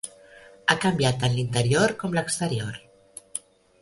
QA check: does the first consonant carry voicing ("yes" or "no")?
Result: no